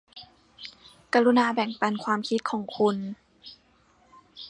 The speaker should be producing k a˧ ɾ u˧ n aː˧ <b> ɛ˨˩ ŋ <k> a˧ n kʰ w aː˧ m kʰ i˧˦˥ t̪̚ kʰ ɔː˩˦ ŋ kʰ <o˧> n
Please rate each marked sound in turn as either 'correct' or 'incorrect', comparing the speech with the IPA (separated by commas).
correct, incorrect, incorrect